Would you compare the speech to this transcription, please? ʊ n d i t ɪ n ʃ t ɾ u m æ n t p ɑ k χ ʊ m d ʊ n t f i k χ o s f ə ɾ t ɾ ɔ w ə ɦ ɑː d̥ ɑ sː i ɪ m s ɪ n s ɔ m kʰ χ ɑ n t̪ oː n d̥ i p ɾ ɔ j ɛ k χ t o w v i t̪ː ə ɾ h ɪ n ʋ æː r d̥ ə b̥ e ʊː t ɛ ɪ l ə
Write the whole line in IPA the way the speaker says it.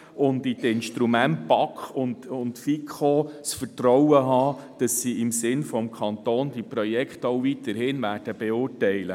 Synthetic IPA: ʊ n d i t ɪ n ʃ t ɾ u m æ n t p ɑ k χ ʊ n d ʊ n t f i k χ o s f ə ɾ t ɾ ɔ w ə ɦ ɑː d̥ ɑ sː i ɪ m s ɪ n f ɔ m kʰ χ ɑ n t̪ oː n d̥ i p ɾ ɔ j ɛ k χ t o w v i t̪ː ə ɾ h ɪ n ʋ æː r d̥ ə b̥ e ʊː t ɛ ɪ l ə

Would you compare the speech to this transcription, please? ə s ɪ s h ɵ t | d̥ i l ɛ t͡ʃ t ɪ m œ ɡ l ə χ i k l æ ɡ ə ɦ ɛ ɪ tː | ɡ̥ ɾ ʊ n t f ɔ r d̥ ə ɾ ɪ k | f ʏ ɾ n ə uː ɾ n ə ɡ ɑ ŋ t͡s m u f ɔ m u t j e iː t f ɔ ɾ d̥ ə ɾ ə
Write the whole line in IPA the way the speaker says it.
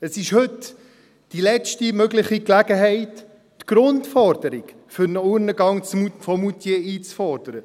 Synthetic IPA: ə s ɪ ʃ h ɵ t | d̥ i l ɛ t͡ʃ t i m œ ɡ l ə χ i k l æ ɡ ə ɦ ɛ ɪ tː | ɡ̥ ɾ ʊ n t f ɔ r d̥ ə ɾ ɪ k | f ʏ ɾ n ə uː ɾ n ə ɡ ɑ ŋ t͡s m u f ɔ m u t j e iː t͡s f ɔ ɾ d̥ ə ɾ ə

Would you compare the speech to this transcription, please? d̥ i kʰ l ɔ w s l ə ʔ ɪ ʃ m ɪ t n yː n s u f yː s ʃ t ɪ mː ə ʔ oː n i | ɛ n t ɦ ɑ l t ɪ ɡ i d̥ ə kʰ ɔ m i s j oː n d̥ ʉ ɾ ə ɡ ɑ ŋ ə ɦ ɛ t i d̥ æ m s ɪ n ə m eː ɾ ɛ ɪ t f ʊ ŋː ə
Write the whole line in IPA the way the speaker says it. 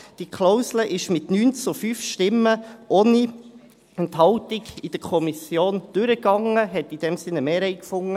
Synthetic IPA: d̥ i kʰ l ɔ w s l ə ʔ ɪ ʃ m ɪ t n yː n t͡s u f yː f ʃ t ɪ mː ə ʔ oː n i | ɛ n t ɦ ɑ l t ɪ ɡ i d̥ ə kʰ ɔ m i s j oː n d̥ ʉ ɾ ə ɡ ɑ ŋ ə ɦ ɛ t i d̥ ɛ m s ɪ n ə m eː ɾ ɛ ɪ k f ʊ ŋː ə

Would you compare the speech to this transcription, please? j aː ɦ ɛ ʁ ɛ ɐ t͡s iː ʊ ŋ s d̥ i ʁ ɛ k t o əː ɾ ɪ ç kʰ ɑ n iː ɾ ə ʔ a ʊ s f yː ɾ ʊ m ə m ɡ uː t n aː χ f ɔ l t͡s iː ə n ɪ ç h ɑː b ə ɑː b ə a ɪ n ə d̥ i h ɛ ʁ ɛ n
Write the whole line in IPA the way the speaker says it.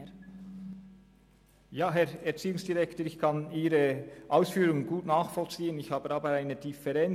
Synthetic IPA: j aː ɦ ɛ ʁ ɛ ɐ t͡s iː ʊ ŋ s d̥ i ʁ ɛ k t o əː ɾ ɪ ç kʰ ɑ n iː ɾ ə ʔ a ʊ s f yː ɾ ʊ ŋ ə n ɡ uː t n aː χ f ɔ l t͡s iː ə n ɪ ç h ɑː b ə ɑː b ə a ɪ n ə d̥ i f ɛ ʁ ɛ n

